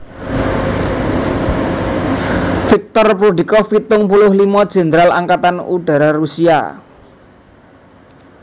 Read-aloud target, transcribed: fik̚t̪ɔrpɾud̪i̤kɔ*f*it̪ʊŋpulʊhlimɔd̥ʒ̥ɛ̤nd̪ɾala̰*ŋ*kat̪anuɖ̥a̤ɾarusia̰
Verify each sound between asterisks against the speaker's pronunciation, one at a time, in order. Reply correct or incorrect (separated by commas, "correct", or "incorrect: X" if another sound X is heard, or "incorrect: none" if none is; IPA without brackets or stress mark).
correct, correct